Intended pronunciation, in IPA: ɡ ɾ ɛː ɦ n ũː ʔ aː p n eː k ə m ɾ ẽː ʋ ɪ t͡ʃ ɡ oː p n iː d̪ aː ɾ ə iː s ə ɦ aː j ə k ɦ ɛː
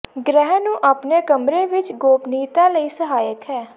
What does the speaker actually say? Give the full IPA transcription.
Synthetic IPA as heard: ɡ ɾ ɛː ɦ n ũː ʔ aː p n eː k ə m ɾ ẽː ʋ ɪ t͡ʃ ɡ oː p n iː t̪ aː l ə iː s ə ɦ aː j ə k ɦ ɛː